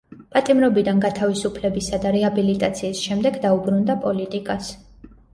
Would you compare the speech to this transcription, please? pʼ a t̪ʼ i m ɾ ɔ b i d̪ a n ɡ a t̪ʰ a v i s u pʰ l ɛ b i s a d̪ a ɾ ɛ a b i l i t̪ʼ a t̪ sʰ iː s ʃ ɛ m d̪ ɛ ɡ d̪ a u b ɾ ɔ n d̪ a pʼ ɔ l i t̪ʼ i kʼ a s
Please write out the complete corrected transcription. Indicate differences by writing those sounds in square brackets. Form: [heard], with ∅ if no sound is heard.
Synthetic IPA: pʼ a t̪ʼ i m ɾ ɔ b i d̪ a n ɡ a t̪ʰ a v i s u pʰ l ɛ b i s a d̪ a ɾ ɛ a b i l i t̪ʼ a t̪ sʰ iː s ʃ ɛ m d̪ ɛ ɡ d̪ a u b ɾ [u] n d̪ a pʼ ɔ l i t̪ʼ i kʼ a s